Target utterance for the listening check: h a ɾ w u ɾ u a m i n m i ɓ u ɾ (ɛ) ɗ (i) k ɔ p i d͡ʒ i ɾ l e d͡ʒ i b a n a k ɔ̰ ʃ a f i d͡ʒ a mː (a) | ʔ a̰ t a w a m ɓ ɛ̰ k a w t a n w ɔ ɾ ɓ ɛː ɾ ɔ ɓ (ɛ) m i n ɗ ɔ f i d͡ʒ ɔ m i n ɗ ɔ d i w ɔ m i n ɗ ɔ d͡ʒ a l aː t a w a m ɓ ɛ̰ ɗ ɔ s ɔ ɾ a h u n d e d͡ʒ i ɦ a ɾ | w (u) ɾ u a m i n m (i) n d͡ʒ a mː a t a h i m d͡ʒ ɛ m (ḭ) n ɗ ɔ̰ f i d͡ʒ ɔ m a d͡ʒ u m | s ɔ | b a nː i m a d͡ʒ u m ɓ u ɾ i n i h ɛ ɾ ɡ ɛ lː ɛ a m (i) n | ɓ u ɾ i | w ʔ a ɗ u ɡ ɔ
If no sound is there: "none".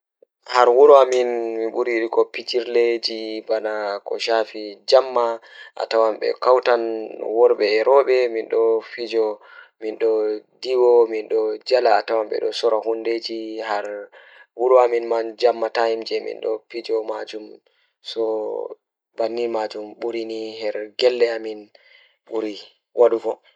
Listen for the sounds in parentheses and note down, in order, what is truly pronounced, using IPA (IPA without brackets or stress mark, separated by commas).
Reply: i, i, a, ɛ, u, a, ḭ, i